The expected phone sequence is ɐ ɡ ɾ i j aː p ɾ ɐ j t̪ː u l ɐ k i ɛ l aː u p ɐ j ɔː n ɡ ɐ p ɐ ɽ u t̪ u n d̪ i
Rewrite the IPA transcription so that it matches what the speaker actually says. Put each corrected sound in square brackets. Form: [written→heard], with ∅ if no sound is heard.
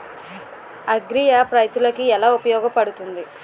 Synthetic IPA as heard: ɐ ɡ ɾ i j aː p ɾ ɐ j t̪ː u l ɐ k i ɛ l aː u p ɐ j ɔː [n→∅] ɡ ɐ p ɐ ɽ u t̪ u n d̪ i